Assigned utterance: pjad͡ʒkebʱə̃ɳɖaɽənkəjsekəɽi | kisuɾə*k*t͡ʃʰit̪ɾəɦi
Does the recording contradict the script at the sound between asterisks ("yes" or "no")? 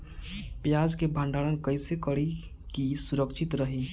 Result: no